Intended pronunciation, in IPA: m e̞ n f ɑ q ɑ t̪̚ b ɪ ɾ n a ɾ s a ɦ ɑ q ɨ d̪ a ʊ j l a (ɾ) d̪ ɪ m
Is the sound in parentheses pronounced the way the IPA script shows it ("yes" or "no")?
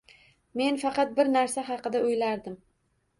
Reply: yes